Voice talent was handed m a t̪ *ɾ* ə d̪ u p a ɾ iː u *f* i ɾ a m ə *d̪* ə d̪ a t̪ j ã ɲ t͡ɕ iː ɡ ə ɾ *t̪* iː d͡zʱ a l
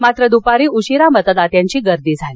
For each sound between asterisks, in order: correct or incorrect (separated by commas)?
correct, incorrect, incorrect, incorrect